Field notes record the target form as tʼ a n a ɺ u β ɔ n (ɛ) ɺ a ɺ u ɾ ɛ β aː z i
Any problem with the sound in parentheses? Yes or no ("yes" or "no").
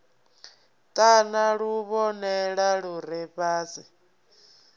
no